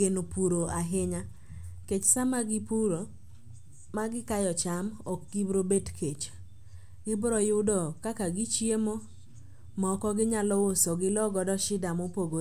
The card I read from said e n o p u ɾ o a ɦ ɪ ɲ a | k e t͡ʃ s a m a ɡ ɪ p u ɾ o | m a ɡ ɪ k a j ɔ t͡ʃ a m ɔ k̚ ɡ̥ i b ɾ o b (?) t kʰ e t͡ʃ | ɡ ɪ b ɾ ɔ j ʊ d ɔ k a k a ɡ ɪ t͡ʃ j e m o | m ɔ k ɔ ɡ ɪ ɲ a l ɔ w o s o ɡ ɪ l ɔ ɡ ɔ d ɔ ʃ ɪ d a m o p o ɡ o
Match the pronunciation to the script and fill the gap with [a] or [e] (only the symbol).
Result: e